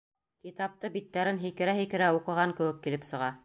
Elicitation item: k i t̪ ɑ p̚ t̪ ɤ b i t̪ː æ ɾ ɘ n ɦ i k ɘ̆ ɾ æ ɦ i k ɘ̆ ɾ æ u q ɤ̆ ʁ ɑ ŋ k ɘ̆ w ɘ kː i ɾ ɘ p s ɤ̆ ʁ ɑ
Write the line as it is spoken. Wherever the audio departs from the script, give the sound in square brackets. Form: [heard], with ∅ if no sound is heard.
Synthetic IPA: k i t̪ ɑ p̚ t̪ ɤ b i t̪ː æ ɾ ɘ n ɦ i k ɘ̆ ɾ æ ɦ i k ɘ̆ ɾ æ u q ɤ̆ ʁ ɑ ŋ k ɘ̆ w ɘ kː i [l] ɘ p s ɤ̆ ʁ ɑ